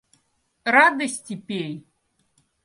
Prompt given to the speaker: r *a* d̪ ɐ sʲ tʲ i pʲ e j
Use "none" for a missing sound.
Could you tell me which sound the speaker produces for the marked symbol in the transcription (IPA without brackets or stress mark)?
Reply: a